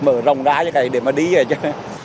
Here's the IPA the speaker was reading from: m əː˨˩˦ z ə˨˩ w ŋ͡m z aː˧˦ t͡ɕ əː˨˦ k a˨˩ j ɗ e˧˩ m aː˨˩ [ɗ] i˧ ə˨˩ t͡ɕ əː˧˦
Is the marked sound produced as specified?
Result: yes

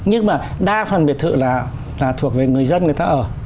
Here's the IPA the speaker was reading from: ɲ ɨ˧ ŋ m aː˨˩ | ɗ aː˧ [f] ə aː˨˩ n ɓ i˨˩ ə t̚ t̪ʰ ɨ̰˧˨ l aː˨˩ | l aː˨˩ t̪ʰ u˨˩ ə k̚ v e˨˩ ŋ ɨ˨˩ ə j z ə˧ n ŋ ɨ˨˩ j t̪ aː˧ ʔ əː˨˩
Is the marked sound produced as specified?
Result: yes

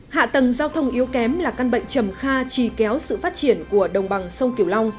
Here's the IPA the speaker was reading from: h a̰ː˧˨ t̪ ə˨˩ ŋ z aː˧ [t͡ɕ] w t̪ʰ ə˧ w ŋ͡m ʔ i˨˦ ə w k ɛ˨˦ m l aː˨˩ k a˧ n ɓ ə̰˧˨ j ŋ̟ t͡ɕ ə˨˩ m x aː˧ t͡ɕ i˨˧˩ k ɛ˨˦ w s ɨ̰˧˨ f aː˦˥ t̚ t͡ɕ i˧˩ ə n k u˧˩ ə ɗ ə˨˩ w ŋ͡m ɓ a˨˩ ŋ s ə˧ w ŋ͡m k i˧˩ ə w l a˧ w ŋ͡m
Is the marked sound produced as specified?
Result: no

